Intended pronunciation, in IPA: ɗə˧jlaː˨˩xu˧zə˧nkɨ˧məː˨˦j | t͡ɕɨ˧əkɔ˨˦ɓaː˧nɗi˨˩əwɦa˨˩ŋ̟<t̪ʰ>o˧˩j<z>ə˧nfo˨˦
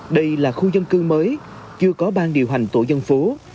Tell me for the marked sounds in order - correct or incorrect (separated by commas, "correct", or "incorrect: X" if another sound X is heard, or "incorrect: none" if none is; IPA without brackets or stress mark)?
incorrect: t̪, correct